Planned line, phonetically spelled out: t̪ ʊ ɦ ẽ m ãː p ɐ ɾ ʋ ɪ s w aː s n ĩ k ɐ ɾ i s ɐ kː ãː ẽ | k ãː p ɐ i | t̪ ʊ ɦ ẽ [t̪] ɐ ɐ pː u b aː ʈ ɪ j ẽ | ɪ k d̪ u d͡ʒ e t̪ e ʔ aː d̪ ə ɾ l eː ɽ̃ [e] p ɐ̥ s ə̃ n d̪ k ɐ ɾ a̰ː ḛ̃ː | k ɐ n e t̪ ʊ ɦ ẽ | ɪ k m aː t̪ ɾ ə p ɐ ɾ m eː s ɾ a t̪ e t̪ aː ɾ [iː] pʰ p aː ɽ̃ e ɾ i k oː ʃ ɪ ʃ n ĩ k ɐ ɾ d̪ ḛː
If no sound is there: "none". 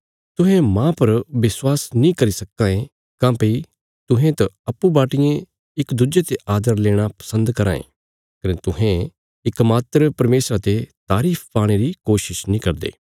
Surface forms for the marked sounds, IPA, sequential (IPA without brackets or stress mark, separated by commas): t̪, a, iː